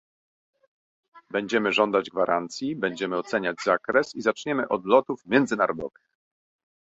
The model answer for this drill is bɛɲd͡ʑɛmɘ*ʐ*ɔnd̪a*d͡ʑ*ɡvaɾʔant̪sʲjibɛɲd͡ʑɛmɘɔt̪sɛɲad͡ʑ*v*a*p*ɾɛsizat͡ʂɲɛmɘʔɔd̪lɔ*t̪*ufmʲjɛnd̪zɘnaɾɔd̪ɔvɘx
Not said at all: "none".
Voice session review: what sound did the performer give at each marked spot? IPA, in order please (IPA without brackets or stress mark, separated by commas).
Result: ʐ, d͡ʑ, z, k, t̪